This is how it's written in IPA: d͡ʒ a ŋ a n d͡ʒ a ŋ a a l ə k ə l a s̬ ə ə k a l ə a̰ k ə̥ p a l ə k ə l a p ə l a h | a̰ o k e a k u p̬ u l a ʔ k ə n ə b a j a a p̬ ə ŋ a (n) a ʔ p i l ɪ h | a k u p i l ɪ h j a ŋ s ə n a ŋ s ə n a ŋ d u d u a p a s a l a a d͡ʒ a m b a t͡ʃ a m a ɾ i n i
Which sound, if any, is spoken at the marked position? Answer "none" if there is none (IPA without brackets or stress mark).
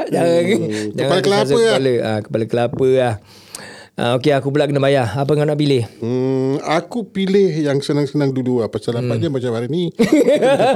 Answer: n